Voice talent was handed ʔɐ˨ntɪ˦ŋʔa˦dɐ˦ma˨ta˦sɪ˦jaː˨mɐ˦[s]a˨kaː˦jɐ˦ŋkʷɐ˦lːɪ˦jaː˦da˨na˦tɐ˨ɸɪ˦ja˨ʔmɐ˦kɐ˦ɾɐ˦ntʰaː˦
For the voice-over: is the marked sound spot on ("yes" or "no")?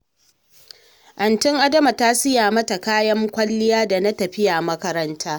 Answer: no